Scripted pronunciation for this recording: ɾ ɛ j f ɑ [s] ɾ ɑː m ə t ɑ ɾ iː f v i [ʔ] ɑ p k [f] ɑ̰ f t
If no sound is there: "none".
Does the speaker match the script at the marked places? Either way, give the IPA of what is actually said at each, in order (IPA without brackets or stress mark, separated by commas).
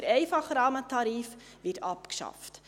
χ, t, ʃ